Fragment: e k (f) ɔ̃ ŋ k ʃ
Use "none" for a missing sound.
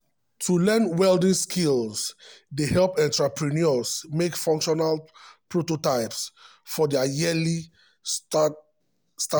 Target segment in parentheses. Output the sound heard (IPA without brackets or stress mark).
f